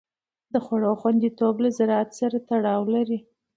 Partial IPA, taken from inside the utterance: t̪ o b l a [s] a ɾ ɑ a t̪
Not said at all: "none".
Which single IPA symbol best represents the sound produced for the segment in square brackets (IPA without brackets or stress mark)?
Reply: z